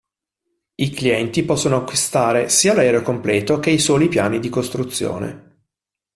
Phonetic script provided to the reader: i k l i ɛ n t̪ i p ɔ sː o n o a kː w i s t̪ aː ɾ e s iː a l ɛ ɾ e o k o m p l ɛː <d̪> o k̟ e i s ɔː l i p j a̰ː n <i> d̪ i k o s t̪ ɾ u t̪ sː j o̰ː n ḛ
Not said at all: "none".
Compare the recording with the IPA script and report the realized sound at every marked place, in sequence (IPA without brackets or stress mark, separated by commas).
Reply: t̪, i